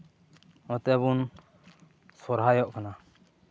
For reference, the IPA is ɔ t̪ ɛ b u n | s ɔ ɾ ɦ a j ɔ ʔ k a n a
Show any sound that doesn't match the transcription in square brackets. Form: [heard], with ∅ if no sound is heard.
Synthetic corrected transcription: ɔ t̪ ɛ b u n | s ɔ ɾ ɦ a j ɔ ʔ k a n a